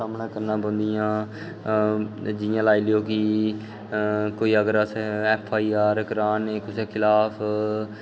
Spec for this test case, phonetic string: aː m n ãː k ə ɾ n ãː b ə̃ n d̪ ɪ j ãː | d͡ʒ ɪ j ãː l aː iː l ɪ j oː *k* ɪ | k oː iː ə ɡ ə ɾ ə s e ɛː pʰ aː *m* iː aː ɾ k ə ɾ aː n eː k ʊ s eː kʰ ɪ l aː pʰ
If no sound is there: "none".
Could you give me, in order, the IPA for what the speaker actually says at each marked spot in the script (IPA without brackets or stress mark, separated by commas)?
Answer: k, none